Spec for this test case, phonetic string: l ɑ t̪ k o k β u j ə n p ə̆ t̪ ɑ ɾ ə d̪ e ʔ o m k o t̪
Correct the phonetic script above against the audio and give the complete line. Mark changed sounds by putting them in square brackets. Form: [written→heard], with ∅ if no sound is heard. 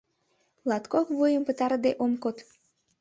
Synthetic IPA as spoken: l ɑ t̪ k o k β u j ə [n→m] p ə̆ t̪ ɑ ɾ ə d̪ e ʔ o m k o t̪